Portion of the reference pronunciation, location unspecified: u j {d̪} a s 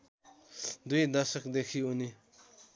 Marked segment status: correct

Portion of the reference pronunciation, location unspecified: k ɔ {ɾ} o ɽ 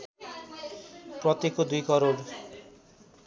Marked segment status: correct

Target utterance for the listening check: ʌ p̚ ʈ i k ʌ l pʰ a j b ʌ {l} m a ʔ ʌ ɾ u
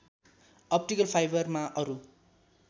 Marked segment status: incorrect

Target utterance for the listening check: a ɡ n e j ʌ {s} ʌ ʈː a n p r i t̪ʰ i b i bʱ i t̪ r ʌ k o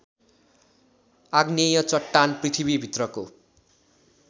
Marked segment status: incorrect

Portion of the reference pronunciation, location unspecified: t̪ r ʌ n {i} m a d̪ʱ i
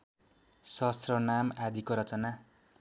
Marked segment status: incorrect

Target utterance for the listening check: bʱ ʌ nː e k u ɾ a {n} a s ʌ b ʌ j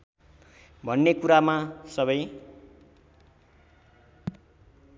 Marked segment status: incorrect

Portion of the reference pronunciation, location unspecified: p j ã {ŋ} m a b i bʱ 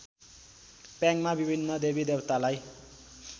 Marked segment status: correct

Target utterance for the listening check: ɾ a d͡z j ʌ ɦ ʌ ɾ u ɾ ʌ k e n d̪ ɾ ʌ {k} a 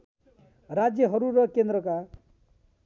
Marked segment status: correct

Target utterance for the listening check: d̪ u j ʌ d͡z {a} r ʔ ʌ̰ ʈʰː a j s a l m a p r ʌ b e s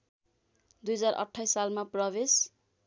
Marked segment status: correct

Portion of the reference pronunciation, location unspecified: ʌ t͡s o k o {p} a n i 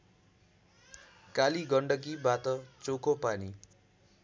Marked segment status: correct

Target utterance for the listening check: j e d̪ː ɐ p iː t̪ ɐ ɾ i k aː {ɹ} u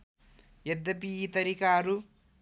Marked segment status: incorrect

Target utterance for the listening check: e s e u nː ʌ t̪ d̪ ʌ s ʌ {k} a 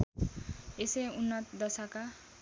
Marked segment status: correct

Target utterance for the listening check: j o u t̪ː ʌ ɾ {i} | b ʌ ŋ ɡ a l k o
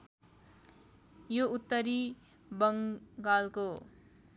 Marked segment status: correct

